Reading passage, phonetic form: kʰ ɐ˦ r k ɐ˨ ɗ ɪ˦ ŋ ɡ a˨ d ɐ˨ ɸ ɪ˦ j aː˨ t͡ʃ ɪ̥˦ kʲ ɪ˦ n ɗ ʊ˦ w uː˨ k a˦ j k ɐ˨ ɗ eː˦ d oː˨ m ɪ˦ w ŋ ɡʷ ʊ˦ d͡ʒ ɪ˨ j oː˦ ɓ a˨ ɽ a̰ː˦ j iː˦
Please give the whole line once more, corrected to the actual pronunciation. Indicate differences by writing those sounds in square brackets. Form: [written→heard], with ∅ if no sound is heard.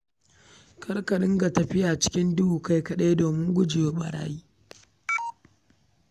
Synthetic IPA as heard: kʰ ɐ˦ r k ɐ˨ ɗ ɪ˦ ŋ ɡ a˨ [d→t] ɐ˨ ɸ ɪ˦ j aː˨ t͡ʃ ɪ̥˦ kʲ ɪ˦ n [ɗ→d] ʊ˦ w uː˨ k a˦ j k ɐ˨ ɗ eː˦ d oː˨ m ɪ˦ [w→∅] ŋ ɡʷ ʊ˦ d͡ʒ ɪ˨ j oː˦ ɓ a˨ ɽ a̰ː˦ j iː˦